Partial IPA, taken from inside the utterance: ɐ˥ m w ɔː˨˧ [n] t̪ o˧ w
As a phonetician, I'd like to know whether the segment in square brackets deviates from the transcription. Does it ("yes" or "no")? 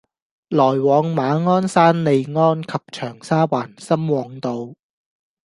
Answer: yes